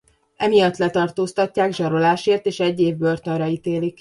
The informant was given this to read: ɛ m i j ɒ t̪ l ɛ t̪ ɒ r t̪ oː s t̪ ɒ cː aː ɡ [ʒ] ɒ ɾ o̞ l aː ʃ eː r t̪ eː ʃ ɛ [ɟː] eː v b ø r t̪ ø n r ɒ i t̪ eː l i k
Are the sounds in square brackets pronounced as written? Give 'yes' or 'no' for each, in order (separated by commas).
yes, yes